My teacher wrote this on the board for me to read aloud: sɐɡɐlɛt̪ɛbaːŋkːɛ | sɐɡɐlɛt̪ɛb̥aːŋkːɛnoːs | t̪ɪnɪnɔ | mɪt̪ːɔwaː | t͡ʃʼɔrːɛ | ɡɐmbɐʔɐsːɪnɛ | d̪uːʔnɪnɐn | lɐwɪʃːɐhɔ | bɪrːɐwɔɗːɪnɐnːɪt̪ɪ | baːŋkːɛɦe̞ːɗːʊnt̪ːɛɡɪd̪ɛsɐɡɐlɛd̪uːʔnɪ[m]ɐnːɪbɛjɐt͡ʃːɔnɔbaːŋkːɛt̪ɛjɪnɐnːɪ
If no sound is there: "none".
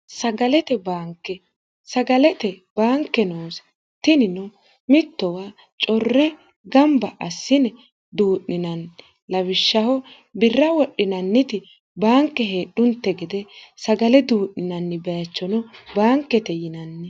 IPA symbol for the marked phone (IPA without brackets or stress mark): n